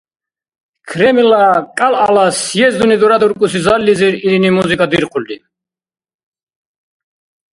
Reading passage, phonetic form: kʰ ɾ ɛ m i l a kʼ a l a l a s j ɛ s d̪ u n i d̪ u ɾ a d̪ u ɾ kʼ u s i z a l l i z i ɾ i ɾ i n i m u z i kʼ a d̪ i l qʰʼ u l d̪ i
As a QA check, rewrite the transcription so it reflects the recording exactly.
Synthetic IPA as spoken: kʰ ɾ ɛ m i l a kʼ a l a l a s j ɛ z d̪ u n i d̪ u ɾ a d̪ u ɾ kʼ u s i z a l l i z i ɾ i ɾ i n i m u z i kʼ a d̪ i ɾ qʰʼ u l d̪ i